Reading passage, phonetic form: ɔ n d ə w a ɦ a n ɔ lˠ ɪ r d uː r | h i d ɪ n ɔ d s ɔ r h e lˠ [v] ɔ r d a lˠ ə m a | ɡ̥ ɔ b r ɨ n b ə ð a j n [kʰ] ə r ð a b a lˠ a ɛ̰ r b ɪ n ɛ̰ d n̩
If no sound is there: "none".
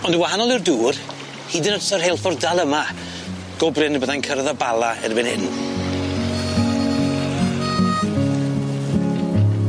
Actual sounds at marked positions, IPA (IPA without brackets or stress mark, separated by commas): f, kʰ